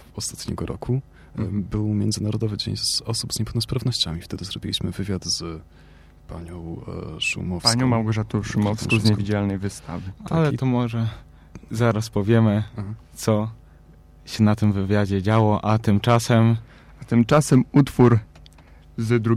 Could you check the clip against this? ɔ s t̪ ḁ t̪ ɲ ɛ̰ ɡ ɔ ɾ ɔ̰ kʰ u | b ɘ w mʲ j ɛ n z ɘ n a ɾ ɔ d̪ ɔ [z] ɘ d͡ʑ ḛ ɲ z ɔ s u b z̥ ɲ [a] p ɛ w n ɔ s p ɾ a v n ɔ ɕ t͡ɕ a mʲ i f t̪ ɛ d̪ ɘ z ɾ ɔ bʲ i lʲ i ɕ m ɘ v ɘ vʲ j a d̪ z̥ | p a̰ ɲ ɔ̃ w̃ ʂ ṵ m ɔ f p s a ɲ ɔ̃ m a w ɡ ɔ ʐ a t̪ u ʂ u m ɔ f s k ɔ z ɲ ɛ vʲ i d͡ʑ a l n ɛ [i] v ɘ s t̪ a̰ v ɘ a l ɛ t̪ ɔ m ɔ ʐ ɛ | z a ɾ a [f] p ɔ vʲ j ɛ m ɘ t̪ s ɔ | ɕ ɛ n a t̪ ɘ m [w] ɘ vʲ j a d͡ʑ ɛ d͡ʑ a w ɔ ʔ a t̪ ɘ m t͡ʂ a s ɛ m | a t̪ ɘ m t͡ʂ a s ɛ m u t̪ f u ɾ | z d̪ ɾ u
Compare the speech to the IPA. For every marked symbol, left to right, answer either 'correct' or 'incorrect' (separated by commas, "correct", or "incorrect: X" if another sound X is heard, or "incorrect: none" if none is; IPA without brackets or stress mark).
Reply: incorrect: v, incorrect: ɛ, incorrect: j, incorrect: s, incorrect: v